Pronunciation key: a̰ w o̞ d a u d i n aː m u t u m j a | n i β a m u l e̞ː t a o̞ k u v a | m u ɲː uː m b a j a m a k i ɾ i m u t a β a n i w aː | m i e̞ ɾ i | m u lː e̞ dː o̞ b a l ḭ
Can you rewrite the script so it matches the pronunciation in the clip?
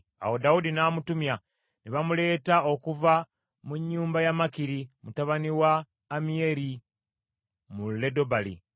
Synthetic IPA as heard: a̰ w o̞ d a u d i n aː m u t u m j a | n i β a m u l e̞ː t a o̞ k u v a | m u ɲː uː m b a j a m a k i ɾ i m u t a β a n i w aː | m i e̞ ɾ i | m u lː e̞ d o̞ b a l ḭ